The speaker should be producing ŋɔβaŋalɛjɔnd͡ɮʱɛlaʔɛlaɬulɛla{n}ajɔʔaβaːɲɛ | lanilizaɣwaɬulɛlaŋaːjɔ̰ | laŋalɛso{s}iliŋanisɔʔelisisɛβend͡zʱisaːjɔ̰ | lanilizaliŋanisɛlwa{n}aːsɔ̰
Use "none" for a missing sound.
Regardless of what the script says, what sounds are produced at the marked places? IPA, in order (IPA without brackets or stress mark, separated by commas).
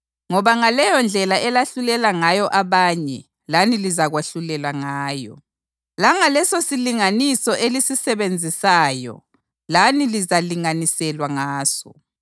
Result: ŋ, s, ŋ